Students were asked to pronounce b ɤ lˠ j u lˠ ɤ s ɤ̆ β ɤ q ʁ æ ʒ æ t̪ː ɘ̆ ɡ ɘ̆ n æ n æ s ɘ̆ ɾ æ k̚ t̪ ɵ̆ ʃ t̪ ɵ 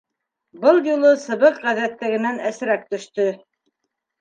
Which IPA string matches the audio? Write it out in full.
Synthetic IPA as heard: b ɤ lˠ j u lˠ ɤ s ɤ̆ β ɤ q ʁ æ ð æ t̪ː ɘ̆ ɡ ɘ̆ n æ n æ s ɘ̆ ɾ æ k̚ t̪ ɵ̆ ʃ t̪ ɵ